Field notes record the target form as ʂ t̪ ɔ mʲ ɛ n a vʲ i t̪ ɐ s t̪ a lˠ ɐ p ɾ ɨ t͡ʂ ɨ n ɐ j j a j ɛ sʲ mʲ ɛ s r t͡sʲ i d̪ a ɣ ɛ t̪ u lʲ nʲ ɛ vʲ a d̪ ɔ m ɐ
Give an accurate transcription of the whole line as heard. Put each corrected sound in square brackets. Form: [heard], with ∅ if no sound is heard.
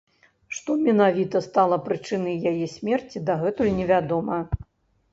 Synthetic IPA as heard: ʂ t̪ ɔ mʲ ɛ n a vʲ i t̪ ɐ s t̪ a lˠ ɐ p ɾ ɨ t͡ʂ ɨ n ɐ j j a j ɛ sʲ mʲ ɛ [∅] r t͡sʲ i d̪ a ɣ ɛ t̪ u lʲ nʲ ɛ vʲ a d̪ ɔ m ɐ